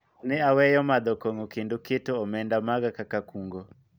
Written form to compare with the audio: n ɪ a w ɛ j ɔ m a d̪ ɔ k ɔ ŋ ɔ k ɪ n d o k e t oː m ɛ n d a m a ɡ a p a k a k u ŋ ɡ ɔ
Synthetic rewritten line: n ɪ a w ɛ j ɔ m a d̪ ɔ k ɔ ŋ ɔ k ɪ n d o k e t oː m ɛ n d a m a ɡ a k a k a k u ŋ ɡ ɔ